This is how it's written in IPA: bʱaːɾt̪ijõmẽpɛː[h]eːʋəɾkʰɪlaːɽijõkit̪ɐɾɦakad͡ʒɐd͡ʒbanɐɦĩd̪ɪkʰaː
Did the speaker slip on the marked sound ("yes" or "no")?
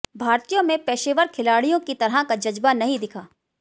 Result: yes